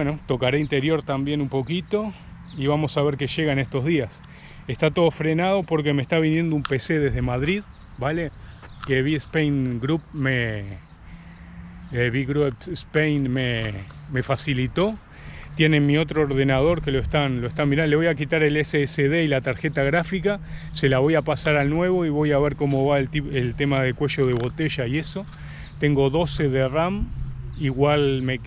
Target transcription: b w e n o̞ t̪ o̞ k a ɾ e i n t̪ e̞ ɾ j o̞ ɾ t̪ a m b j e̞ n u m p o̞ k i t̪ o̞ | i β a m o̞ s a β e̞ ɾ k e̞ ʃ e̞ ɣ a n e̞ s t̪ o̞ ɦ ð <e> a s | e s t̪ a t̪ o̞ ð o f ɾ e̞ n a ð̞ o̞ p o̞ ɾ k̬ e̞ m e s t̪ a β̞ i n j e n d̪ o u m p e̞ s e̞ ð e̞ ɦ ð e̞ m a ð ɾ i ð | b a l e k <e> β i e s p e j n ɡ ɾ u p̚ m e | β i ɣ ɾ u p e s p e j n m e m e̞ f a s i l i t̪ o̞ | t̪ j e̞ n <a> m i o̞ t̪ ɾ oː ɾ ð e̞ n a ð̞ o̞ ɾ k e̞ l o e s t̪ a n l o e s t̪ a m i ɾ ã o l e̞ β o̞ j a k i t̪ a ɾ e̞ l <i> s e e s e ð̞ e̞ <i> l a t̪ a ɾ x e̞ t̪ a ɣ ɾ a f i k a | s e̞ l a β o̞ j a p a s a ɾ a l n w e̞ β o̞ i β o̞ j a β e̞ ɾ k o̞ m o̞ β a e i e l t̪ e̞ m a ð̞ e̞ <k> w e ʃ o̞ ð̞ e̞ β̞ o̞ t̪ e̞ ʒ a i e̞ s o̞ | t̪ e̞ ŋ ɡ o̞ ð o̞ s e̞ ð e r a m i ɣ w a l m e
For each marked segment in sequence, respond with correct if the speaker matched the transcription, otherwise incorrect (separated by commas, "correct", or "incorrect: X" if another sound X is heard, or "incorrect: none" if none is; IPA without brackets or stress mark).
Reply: incorrect: i, correct, incorrect: e, incorrect: e, correct, correct